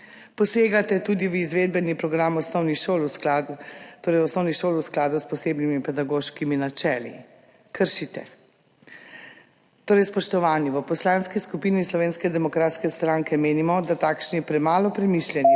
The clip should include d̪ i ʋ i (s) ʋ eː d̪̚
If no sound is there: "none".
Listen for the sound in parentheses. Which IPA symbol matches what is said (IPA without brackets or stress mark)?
z